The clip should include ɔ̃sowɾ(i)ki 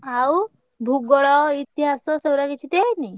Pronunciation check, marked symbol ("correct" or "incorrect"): incorrect